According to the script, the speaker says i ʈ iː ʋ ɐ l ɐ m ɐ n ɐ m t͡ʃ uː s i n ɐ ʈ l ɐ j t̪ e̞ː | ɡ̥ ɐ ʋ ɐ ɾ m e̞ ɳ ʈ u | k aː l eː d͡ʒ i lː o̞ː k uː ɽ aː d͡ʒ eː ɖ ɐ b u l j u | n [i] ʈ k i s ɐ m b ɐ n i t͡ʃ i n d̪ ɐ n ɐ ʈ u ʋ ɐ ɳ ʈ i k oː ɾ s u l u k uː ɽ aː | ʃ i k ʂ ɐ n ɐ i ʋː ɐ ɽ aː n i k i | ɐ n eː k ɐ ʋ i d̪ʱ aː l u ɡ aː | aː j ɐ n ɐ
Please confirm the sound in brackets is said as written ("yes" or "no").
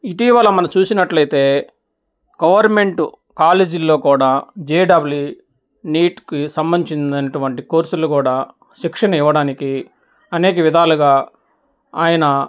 no